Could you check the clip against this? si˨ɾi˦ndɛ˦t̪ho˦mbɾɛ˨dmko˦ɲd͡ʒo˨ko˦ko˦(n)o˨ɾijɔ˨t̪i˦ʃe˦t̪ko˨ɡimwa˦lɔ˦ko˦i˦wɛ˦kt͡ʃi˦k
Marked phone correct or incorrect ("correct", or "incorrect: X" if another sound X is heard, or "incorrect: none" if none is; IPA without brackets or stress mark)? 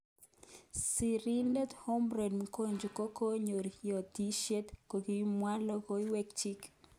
incorrect: ɲ